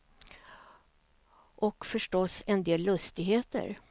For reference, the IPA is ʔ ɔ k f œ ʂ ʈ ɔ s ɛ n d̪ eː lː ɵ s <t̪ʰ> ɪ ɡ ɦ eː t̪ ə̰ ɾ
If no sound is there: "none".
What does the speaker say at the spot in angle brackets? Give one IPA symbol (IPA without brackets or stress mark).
t̪